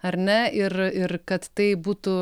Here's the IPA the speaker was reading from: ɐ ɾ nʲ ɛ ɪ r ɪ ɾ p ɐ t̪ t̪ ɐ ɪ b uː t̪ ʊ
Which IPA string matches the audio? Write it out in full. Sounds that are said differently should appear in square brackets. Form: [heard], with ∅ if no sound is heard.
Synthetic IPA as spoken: ɐ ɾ nʲ ɛ ɪ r ɪ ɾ [k] ɐ t̪ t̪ ɐ ɪ b uː t̪ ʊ